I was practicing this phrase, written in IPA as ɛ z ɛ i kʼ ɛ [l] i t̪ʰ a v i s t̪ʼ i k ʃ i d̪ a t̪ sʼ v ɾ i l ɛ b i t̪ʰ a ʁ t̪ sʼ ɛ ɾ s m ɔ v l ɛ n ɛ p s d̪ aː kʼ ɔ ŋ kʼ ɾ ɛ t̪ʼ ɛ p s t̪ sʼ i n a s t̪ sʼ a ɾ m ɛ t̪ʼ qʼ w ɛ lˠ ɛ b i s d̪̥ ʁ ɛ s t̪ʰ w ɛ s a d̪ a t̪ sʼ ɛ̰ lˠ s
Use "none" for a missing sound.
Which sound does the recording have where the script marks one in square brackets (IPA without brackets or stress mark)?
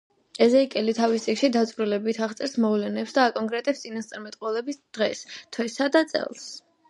l